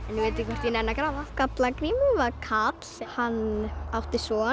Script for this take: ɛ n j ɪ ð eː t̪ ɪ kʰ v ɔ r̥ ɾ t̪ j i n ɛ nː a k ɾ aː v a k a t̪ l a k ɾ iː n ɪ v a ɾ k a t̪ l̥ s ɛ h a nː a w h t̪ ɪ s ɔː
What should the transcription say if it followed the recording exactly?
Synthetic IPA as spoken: ɛ n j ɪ v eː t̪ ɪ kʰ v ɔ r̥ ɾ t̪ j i n ɛ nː a k ɾ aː v a k a t̪ l a k ɾ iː m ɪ v a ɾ kʰ a t̪ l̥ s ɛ h a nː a w h t̪ ɪ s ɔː